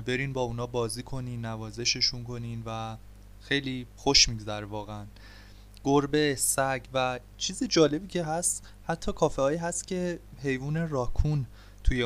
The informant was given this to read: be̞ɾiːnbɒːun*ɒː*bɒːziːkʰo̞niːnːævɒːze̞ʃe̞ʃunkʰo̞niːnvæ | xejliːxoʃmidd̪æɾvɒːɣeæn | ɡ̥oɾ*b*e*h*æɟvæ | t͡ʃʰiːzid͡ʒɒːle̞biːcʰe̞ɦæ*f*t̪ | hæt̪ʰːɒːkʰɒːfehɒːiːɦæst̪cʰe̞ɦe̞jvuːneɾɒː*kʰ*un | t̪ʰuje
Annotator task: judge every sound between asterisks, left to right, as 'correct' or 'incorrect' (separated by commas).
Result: correct, correct, incorrect, incorrect, correct